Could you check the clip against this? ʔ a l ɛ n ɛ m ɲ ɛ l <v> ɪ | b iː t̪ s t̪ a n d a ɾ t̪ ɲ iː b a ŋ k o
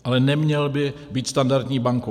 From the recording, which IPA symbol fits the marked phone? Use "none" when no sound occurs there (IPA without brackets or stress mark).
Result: b